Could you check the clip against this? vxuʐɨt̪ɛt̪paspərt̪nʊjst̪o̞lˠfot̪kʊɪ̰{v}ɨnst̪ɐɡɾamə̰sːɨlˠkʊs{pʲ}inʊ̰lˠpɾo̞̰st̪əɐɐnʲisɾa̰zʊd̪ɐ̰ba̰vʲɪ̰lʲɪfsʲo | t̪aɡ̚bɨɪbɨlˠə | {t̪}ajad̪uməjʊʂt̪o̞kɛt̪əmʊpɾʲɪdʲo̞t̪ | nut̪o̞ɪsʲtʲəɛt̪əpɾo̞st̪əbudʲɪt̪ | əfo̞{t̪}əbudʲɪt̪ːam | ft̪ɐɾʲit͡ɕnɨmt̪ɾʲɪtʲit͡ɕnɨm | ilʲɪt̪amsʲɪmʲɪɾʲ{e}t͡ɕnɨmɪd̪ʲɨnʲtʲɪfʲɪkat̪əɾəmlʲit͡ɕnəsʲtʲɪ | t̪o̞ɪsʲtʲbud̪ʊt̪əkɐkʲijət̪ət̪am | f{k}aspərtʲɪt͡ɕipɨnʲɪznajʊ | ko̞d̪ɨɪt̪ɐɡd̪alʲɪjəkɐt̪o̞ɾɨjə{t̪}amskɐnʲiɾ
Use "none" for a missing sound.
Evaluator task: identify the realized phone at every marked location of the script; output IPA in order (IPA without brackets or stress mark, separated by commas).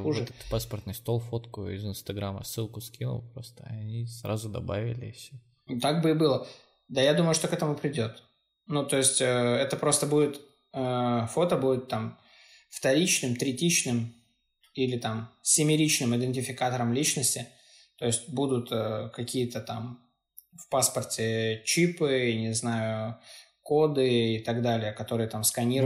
z, kʲ, d̪, t̪, i, p, t̪